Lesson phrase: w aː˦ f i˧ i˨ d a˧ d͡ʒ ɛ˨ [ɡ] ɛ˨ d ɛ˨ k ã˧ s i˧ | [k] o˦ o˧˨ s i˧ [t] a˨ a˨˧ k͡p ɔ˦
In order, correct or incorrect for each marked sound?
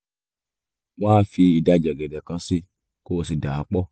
correct, correct, incorrect: d

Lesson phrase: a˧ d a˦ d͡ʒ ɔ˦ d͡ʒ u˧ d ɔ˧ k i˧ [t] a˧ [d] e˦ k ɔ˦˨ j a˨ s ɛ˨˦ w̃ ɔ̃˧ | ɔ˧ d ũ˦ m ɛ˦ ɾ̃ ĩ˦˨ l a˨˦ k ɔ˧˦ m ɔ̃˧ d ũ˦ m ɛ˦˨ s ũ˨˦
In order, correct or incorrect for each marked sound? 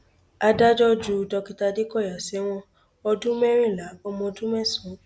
correct, correct

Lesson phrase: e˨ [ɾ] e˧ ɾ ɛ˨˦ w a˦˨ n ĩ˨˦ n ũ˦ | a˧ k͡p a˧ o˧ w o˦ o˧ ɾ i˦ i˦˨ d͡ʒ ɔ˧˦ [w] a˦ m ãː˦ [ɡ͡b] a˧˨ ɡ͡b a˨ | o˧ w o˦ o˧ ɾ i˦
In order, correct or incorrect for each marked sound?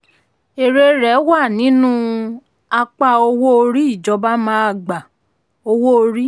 correct, incorrect: b, incorrect: none

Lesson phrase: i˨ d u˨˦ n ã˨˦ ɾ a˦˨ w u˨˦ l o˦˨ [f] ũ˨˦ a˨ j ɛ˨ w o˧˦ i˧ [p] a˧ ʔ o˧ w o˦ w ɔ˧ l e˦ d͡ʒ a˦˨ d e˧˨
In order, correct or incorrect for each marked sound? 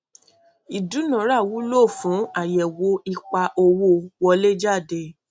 correct, incorrect: k͡p

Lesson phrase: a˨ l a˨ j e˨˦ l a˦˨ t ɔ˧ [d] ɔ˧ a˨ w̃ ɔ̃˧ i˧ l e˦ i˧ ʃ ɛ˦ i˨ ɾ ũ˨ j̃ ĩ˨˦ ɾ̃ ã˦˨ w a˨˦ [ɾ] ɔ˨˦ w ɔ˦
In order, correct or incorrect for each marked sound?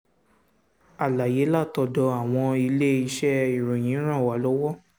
correct, incorrect: l

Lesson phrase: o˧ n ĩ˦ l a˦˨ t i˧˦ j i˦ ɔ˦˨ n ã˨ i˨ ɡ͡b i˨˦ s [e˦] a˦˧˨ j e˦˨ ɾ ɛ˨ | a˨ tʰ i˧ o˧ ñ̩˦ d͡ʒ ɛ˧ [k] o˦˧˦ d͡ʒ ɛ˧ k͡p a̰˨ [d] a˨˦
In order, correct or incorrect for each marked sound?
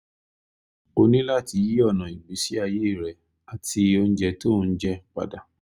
incorrect: i˦, incorrect: t, correct

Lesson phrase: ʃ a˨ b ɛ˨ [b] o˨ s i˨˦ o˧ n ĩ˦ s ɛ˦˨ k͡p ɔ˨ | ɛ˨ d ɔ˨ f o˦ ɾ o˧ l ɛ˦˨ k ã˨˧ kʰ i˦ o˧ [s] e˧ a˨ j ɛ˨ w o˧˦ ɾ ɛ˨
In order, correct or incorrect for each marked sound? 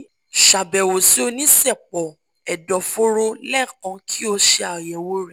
incorrect: w, incorrect: ʃ

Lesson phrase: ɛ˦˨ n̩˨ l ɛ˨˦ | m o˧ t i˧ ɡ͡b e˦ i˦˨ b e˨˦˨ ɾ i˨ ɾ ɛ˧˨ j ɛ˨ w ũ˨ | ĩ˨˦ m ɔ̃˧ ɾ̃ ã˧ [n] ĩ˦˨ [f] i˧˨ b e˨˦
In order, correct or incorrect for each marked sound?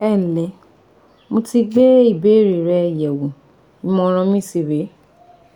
incorrect: m, incorrect: s

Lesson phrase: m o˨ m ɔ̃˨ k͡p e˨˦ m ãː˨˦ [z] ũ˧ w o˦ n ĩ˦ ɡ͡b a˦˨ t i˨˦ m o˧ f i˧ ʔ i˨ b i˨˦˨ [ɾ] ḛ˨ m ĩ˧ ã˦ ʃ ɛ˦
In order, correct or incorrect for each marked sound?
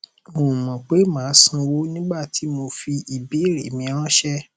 incorrect: s, correct

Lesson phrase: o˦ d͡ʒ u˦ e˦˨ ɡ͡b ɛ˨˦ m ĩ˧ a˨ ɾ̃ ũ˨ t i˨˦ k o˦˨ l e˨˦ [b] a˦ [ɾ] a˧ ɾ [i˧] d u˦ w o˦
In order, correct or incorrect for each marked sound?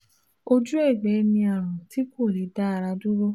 incorrect: d, incorrect: none, incorrect: a˧

